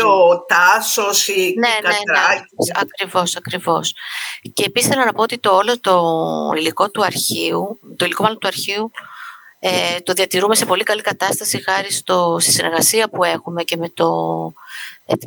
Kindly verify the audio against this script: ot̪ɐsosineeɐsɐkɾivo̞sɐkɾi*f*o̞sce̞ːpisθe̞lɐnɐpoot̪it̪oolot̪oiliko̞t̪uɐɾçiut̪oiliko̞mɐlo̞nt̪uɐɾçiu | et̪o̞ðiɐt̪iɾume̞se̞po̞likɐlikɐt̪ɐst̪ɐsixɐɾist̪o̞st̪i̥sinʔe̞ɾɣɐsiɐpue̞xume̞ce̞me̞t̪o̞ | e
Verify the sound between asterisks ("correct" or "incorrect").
incorrect